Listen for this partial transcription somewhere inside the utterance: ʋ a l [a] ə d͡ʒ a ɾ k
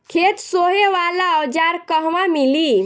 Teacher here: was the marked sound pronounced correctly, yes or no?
yes